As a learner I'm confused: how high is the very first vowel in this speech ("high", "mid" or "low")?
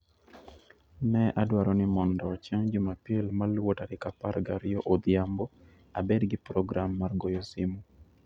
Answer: mid